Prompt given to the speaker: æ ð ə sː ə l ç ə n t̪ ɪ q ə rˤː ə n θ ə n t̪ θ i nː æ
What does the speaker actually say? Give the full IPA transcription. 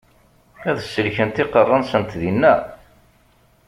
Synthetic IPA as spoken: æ ð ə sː ə l ç ə n t̪ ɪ q ə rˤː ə n s ə n t̪ ð i nː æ

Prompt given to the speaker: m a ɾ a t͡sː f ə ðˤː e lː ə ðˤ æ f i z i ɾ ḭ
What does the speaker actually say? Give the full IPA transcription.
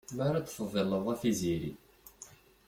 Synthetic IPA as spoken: m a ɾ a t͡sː f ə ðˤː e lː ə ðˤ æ f i z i ɾ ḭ

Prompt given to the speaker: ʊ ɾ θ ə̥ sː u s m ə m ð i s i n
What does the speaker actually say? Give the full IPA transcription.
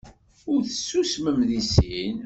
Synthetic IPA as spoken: ʊ ɾ θ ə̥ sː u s m ə m ð i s i n

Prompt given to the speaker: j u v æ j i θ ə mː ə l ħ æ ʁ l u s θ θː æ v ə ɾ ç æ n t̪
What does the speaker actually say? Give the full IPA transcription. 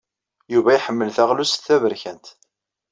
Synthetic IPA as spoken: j u v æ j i ħ ə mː ə l θ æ ʁ l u s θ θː æ v ə ɾ ç æ n t̪

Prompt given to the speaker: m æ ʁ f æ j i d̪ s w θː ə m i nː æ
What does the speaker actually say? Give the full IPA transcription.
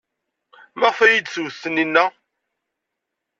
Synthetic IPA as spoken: m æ ʁ f æ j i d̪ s w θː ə n i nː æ

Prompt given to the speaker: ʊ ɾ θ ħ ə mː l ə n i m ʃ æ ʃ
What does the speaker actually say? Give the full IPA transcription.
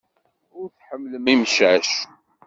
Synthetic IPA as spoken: ʊ ɾ θ ħ ə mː l ə m i m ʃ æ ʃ

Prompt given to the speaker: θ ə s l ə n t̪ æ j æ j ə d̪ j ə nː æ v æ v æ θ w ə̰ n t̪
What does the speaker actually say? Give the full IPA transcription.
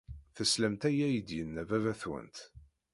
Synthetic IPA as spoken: θ ə s l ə m t̪ æ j æ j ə d̪ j ə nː æ v æ v æ θ w ə̰ n t̪

